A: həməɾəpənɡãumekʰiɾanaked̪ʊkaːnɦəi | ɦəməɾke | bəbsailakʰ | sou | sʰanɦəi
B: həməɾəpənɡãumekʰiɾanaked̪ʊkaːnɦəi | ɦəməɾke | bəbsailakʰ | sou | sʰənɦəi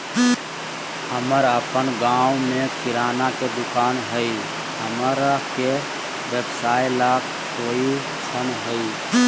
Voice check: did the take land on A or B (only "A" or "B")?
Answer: B